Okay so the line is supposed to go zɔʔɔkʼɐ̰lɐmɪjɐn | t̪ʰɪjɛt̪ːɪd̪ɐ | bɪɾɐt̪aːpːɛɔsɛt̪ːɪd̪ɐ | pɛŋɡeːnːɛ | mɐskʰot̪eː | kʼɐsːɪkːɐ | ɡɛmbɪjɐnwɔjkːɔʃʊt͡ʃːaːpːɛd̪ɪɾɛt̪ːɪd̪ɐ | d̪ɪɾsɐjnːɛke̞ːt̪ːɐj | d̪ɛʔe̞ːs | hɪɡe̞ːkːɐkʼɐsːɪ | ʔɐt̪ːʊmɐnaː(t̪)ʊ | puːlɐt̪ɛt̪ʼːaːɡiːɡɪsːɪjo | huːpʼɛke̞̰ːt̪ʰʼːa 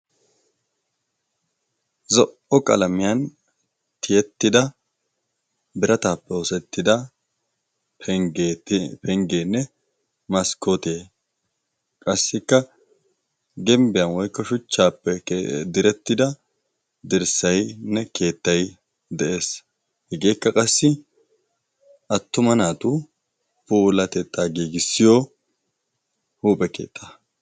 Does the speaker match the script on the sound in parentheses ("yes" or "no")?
yes